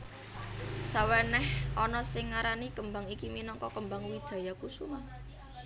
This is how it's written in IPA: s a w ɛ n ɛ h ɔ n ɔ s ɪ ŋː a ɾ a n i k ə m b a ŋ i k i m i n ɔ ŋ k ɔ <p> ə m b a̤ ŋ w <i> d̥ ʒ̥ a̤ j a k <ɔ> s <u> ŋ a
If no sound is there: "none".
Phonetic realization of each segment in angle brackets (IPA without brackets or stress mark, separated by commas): k, i, u, u